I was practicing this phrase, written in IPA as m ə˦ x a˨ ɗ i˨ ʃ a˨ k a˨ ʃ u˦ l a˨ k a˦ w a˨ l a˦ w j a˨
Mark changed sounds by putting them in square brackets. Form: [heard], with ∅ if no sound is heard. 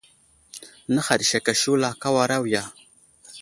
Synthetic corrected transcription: [n] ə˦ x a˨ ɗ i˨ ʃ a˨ k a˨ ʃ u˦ l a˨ k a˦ w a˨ [ɾ] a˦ w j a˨